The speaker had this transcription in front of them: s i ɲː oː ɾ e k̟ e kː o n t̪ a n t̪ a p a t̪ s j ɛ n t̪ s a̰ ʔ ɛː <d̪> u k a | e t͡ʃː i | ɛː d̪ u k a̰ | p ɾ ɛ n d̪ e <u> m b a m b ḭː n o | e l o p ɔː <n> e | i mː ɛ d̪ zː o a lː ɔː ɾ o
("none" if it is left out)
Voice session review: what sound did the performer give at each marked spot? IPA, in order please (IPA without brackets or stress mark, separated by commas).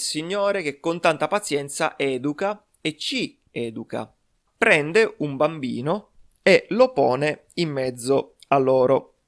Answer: d̪, u, n